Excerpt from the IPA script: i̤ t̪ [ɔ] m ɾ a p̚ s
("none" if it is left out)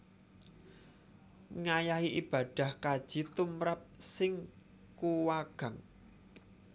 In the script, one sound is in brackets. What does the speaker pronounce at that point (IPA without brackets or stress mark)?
u